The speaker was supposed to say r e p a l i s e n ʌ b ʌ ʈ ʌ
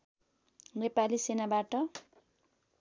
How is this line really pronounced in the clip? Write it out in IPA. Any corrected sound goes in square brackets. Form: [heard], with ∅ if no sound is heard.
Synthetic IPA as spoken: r e p a l i s e n [a] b [a] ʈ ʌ